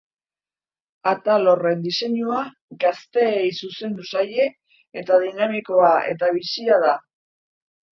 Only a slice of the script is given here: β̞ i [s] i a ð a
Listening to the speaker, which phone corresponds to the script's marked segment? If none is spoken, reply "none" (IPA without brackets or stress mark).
s